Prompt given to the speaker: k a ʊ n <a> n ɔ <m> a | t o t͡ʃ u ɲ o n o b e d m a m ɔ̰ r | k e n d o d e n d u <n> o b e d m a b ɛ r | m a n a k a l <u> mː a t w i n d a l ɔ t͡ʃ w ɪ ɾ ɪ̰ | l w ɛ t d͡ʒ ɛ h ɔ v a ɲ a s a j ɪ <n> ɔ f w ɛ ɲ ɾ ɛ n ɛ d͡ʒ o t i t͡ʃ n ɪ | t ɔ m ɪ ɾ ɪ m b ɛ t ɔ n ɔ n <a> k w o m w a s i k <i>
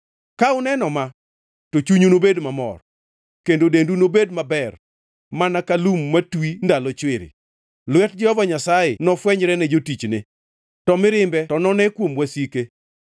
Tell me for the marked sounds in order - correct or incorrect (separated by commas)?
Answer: incorrect, correct, correct, correct, correct, incorrect, incorrect